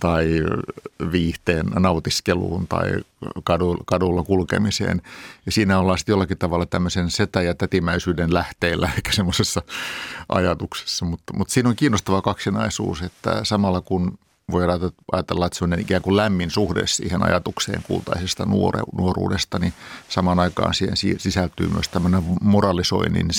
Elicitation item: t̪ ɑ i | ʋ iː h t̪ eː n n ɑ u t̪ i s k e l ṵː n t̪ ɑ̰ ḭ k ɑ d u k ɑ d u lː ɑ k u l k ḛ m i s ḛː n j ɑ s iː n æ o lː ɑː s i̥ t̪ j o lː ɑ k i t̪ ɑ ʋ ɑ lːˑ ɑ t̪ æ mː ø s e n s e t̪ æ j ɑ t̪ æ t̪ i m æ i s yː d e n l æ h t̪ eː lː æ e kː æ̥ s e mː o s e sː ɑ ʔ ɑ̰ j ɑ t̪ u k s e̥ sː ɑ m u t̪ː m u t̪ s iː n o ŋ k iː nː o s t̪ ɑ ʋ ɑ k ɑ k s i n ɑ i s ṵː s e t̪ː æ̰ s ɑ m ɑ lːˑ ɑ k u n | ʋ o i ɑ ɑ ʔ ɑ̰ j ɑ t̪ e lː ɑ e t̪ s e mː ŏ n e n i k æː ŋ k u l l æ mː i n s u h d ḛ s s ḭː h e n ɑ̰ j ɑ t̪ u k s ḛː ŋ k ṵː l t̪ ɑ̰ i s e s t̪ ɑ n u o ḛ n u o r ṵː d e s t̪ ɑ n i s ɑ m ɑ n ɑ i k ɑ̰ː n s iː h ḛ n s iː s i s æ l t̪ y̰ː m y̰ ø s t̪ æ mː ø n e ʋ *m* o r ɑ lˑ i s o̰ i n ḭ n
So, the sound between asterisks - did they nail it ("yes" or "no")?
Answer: yes